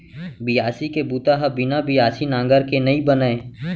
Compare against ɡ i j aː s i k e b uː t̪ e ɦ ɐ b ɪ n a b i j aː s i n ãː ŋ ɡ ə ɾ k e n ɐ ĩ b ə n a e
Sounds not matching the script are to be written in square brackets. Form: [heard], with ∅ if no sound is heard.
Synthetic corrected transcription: [b] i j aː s i k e b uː t̪ [a] ɦ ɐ b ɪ n a b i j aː s i n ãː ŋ ɡ ə ɾ k e n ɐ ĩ b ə n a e